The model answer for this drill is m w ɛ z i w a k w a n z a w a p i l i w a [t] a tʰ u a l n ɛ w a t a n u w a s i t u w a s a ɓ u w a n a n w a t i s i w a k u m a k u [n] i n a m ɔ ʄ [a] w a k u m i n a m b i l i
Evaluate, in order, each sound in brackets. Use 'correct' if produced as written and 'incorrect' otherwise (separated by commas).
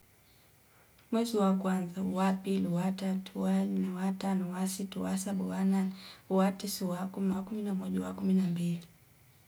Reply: correct, incorrect, correct